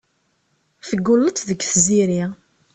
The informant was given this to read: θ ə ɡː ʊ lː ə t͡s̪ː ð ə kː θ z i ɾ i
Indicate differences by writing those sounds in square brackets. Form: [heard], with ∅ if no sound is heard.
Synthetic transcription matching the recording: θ ə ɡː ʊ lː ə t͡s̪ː ð ə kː θ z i ɾ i